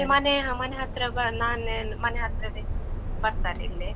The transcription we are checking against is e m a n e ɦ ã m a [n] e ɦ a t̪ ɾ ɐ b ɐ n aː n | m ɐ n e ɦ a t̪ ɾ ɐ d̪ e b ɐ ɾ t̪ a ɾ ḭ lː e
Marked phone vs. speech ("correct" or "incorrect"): correct